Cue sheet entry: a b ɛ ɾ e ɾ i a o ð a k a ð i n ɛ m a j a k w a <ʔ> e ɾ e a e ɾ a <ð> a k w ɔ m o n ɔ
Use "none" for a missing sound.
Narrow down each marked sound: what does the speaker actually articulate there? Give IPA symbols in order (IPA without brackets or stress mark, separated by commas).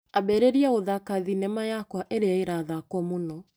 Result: ʔ, ð